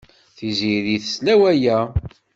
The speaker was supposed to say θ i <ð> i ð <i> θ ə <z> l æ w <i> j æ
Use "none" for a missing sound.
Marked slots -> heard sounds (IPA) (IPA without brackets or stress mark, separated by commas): z, i, s, æ